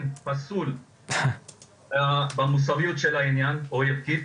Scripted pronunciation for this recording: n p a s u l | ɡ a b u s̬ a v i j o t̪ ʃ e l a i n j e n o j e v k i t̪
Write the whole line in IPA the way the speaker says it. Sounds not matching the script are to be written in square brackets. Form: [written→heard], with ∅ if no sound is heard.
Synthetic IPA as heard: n p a s u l | [ɡ→b] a [b→m] u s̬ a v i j [o→u] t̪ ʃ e l a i n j [e→a] n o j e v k i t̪